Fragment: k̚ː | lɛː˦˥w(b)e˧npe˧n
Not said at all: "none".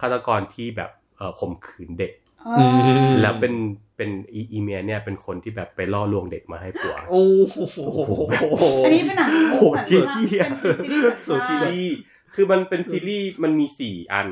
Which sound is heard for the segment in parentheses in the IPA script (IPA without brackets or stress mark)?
p